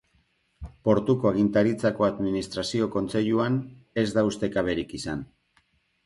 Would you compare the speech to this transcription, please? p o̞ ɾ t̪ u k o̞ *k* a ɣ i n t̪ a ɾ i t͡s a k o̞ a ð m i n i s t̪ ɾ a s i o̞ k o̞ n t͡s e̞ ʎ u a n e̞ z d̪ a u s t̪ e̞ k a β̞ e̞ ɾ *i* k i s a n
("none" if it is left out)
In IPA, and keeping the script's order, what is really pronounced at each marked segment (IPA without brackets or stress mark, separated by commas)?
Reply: none, i